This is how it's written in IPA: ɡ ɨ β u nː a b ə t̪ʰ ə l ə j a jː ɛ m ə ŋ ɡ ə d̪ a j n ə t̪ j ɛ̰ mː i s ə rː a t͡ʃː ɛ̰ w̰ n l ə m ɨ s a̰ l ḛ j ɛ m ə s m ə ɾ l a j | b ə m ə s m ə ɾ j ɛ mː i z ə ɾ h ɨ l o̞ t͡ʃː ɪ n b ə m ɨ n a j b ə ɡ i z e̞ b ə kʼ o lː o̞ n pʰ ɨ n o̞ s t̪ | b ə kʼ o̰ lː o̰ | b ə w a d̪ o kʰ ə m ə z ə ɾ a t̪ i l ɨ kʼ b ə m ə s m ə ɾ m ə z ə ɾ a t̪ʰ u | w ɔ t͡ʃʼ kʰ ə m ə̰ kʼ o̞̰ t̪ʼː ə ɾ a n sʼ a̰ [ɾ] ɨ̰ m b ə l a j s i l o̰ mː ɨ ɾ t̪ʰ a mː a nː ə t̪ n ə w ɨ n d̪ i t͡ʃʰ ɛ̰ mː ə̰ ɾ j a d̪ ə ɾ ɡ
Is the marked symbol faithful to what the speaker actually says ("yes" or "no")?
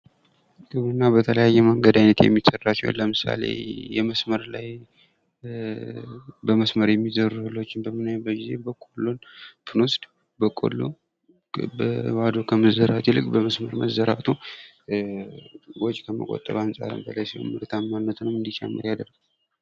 yes